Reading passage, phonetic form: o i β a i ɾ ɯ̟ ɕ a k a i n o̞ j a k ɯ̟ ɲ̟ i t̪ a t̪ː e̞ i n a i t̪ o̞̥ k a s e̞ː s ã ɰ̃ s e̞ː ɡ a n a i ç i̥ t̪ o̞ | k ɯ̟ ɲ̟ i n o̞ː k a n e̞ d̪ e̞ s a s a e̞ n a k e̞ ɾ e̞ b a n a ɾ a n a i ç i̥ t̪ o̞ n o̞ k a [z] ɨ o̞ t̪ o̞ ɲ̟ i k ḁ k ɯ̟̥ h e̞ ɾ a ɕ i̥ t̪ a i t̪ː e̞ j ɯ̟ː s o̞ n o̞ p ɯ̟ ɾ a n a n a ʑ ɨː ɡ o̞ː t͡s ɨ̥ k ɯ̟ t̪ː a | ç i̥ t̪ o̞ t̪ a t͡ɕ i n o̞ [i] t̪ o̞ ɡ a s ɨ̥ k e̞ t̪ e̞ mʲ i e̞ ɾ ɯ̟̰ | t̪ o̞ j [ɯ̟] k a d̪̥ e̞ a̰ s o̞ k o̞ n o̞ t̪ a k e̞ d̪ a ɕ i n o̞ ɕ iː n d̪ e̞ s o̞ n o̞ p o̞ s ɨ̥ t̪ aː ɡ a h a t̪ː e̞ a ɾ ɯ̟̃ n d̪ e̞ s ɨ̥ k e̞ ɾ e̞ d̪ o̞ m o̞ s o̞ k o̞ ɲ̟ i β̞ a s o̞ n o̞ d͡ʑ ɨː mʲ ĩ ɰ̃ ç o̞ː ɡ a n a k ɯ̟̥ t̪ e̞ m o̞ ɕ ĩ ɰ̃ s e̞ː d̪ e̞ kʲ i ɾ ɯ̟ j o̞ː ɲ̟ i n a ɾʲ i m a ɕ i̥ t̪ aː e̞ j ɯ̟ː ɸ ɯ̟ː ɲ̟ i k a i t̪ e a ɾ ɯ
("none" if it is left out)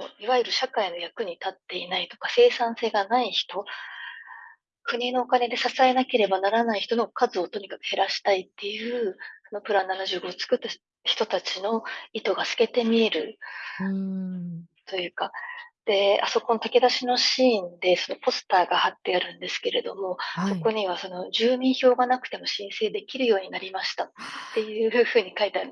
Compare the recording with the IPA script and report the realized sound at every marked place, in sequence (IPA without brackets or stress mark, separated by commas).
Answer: z, i, ɯ̟ː